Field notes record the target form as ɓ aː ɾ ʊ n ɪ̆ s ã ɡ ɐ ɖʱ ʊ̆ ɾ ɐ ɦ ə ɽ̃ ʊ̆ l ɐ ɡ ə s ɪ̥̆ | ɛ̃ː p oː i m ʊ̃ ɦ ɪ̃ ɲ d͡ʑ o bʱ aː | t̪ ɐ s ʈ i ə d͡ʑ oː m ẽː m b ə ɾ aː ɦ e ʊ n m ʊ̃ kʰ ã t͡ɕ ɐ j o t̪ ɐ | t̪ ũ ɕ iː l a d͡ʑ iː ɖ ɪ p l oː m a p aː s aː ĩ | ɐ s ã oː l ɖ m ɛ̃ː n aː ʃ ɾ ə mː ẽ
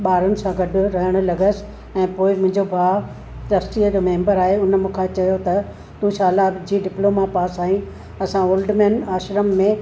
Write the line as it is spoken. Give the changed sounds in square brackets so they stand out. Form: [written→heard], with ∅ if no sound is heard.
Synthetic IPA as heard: ɓ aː ɾ ʊ n ɪ̆ s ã ɡ ɐ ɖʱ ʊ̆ ɾ ɐ ɦ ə ɽ̃ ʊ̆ l ɐ ɡ ə s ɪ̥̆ | ɛ̃ː p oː [i→ɪ] m ʊ̃ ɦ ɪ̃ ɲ d͡ʑ o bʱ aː | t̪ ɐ s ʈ i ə d͡ʑ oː m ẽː m b ə ɾ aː ɦ e ʊ n m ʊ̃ kʰ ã t͡ɕ ɐ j o t̪ ɐ | t̪ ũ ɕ [iː→aː] l a d͡ʑ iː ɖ ɪ p l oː m a p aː s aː ĩ | ɐ s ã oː l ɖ m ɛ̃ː n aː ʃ ɾ ə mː ẽ